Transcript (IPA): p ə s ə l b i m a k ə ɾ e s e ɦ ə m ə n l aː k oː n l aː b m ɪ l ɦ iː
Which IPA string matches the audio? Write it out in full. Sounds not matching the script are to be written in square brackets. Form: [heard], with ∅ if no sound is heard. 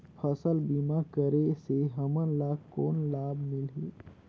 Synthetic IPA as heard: [pʰ] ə s ə l b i m a k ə ɾ e s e ɦ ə m ə n l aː k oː n l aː b m ɪ l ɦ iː